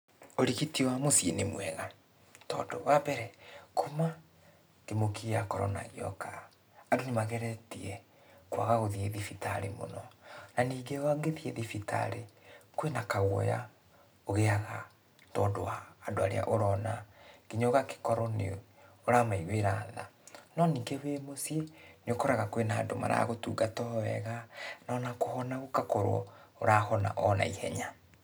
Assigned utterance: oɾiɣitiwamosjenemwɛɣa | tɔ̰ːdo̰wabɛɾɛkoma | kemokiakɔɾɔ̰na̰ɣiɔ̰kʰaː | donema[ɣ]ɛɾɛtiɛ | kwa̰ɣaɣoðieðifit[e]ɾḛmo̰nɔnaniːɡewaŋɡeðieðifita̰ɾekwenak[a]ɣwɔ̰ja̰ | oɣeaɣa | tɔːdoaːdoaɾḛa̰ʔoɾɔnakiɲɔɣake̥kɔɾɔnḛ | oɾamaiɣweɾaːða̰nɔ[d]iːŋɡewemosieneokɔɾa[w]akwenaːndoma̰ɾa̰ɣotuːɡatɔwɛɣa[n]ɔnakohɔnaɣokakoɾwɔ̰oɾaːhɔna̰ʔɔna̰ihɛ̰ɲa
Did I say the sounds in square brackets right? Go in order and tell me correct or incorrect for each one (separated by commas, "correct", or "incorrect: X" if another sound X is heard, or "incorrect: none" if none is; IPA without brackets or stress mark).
correct, incorrect: a, correct, incorrect: n, incorrect: ɣ, correct